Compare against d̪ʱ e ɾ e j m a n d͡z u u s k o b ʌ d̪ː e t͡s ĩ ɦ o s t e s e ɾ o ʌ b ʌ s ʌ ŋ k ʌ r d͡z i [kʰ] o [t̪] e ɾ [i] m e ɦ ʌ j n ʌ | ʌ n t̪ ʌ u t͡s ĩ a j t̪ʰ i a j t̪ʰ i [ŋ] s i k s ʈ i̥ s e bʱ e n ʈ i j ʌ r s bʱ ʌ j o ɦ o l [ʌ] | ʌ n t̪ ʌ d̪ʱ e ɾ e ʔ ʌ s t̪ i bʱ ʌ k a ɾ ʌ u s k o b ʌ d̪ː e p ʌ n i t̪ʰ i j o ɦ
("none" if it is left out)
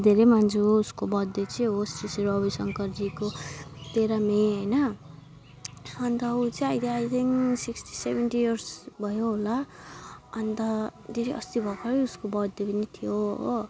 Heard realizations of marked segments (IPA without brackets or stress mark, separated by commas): k, t̪, a, ŋ, a